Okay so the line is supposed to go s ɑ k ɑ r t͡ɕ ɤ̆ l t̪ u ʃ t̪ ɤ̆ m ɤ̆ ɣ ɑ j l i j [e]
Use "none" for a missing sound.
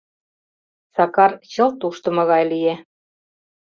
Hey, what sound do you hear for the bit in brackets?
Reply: e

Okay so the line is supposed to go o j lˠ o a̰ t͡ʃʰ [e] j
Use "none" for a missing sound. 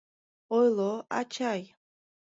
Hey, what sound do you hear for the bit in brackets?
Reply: a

